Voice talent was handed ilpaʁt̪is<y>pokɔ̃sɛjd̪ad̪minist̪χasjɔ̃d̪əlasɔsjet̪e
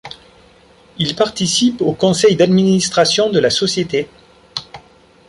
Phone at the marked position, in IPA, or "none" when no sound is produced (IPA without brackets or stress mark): i